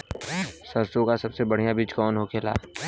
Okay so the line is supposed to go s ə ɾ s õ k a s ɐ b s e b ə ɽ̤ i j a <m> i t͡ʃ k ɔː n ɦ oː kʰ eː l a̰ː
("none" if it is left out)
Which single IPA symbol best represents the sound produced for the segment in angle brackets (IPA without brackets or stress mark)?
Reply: b